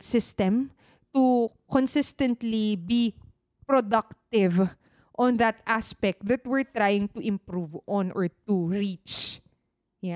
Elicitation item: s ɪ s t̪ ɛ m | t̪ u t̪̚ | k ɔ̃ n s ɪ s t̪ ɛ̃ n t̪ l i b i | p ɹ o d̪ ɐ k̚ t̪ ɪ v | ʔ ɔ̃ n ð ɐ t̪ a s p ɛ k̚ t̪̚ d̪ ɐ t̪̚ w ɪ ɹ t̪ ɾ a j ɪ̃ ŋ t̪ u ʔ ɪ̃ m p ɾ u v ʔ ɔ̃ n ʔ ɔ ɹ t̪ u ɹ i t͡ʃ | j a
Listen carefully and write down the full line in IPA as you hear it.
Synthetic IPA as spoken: s ɪ s t̪ ɛ m | t̪ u | k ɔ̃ n s ɪ s t̪ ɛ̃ n t̪ l i b i | p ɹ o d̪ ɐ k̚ t̪ ɪ v | ʔ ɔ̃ n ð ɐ t̪ a s p ɛ k̚ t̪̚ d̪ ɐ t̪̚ w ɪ ɹ t̪ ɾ a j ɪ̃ ŋ t̪ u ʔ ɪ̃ m p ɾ u v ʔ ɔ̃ n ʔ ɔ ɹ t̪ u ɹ i t͡ʃ | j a